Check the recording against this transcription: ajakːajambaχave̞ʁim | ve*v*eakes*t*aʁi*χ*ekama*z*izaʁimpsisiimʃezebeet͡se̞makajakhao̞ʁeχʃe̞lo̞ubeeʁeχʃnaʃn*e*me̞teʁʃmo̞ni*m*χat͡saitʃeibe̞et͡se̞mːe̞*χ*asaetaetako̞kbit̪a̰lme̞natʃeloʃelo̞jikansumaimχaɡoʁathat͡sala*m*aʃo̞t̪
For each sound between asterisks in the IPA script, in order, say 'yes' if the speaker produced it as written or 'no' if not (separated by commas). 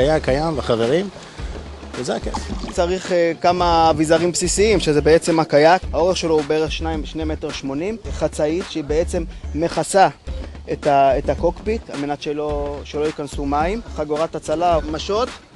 no, no, yes, no, yes, yes, yes, yes